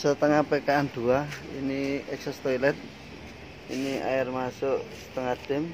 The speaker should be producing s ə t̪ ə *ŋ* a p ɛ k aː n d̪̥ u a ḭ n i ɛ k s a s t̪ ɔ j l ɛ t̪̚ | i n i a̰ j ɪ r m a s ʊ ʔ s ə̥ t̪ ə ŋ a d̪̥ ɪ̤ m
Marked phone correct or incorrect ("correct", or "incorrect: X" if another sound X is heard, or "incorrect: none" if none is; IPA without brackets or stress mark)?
correct